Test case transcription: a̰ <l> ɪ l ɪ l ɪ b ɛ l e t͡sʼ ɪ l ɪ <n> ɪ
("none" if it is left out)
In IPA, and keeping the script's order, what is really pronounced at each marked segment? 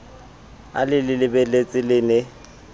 l, n

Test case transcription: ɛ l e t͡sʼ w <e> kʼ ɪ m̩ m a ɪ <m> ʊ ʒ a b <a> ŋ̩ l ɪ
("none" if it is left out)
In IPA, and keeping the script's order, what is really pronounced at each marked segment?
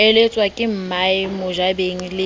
a, m, e

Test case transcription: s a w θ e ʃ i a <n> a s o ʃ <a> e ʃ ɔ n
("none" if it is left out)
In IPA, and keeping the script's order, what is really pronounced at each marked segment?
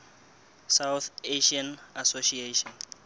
n, i

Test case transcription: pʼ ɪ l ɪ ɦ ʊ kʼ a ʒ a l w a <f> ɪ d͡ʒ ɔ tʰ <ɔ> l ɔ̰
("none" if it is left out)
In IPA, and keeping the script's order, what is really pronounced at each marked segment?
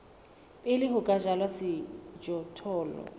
s, ɔː

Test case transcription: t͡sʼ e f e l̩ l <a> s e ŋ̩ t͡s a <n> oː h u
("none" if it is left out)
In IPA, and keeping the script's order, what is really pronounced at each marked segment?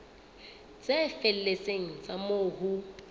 e, m

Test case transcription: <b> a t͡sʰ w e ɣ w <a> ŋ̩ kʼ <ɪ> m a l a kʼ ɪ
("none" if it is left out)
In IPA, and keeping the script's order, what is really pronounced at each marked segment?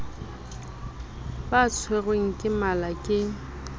b, e, ɪ

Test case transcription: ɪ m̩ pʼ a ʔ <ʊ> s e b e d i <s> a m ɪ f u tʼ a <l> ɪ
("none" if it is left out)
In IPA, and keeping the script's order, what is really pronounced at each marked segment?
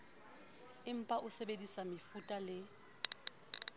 ʊ, s, l

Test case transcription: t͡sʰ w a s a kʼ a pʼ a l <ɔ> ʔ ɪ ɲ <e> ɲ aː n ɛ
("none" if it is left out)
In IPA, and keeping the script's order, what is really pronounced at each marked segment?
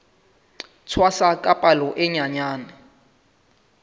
ɔ, a

